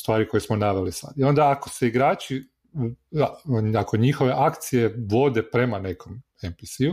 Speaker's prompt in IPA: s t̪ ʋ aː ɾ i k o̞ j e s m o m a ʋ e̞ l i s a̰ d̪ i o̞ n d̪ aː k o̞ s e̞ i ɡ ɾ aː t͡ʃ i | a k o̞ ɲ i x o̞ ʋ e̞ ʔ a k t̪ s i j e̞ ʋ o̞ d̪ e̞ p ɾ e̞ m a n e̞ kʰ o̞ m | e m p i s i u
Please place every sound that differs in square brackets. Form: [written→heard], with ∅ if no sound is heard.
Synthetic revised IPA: s t̪ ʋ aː ɾ i k o̞ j e s m o [m→n] a ʋ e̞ l i s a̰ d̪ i o̞ n d̪ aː k o̞ s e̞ i ɡ ɾ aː t͡ʃ i | a k o̞ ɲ i x o̞ ʋ e̞ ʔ a k t̪ s i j e̞ ʋ o̞ d̪ e̞ p ɾ e̞ m a n e̞ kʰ o̞ m | e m p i s i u